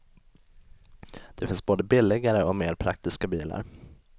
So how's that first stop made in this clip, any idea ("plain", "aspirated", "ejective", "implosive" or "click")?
plain